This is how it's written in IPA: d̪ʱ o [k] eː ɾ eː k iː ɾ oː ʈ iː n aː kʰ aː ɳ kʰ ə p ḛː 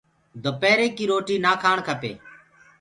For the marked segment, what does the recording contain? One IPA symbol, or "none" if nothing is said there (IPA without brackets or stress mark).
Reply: p